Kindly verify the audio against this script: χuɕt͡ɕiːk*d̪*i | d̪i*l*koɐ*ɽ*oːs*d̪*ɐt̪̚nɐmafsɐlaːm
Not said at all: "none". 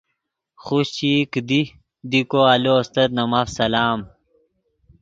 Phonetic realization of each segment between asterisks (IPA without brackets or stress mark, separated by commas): d̪, none, l, t̪